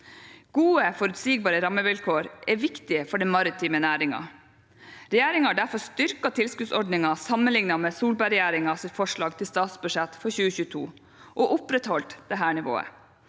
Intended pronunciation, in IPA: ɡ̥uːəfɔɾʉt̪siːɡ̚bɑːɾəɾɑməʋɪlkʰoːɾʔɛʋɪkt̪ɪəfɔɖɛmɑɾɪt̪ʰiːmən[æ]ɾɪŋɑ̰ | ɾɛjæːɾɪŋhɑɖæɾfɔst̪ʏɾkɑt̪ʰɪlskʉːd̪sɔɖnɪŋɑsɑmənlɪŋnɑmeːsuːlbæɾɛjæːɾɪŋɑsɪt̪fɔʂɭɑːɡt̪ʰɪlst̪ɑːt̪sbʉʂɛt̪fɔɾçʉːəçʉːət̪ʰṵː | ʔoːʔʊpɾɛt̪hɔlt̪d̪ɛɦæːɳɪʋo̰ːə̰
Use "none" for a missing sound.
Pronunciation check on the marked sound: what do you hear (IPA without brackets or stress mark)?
æː